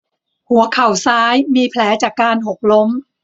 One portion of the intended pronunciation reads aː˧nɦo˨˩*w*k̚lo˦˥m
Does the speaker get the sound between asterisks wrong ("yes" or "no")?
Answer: yes